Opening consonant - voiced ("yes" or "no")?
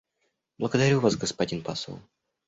yes